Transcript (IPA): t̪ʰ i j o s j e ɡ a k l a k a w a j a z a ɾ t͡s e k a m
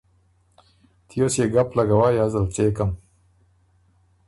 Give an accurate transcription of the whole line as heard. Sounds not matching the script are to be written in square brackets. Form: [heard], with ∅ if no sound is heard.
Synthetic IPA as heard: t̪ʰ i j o s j e ɡ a [p] l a [ɡ] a w a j a z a [l] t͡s e k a m